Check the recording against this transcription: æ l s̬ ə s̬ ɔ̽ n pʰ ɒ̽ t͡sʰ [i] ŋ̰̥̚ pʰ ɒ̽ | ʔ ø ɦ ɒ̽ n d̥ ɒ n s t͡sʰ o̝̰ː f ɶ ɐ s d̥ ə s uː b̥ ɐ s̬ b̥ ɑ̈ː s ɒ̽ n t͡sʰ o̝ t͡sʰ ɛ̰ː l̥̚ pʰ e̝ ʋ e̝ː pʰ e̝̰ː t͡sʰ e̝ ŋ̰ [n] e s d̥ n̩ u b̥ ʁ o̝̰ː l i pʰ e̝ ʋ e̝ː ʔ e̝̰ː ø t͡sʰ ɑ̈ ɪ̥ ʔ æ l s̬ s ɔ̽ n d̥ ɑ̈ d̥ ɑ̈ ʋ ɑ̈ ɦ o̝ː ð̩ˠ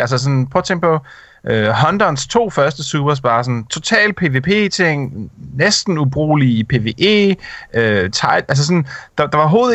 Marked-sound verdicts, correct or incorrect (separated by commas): incorrect, correct